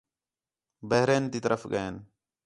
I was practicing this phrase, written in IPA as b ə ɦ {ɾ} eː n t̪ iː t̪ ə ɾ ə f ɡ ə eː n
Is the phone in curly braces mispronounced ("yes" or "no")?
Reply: no